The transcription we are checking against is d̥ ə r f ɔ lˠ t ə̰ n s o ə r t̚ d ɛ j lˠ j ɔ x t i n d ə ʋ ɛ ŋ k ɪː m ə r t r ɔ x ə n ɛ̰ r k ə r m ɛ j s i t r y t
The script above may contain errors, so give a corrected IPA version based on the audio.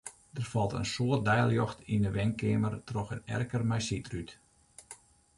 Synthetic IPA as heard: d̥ ə r f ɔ lˠ t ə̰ n s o ə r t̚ d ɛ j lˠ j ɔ x t i n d ə ʋ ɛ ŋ k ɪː m ə r t r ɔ x ə n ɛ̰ r k ə r m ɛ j s i t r y t